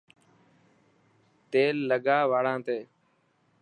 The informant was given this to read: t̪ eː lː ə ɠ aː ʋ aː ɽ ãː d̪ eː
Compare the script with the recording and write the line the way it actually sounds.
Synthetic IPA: t̪ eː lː ə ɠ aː ʋ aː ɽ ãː t̪ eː